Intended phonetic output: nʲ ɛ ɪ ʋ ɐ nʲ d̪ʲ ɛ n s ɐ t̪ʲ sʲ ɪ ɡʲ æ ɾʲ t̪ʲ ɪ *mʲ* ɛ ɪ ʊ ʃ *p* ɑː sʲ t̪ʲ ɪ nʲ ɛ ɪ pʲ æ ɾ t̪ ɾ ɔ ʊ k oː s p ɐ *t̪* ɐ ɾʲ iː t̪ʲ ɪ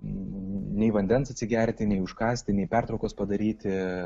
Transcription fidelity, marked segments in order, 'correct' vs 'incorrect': incorrect: nʲ, incorrect: k, incorrect: d̪

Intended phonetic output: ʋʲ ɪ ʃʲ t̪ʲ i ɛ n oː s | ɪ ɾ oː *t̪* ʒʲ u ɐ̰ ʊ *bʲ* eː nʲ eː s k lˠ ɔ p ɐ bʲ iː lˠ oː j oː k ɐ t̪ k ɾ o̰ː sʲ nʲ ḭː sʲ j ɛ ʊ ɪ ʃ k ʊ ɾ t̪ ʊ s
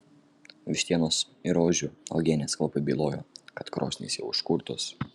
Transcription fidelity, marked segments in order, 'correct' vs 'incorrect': incorrect: none, incorrect: ɡʲ

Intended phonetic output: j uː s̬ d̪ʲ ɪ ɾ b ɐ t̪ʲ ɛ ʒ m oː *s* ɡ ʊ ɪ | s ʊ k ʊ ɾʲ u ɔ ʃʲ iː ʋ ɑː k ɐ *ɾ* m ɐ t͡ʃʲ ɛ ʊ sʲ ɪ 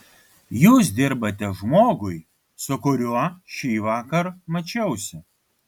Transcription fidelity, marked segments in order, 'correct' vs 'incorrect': incorrect: none, correct

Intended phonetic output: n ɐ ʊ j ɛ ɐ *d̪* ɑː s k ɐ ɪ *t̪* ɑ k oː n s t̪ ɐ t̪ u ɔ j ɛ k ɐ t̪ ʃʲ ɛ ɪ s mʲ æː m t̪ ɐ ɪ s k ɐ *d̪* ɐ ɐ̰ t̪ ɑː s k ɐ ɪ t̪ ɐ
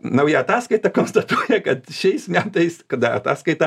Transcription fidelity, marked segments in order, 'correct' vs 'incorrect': incorrect: t̪, correct, correct

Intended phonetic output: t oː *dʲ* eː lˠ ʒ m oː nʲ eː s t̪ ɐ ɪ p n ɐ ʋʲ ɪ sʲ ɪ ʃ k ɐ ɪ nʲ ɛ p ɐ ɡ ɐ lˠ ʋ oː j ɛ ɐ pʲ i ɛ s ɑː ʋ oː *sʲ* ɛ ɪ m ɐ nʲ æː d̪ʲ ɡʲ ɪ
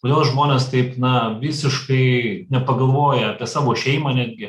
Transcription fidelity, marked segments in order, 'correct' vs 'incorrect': correct, incorrect: ʃʲ

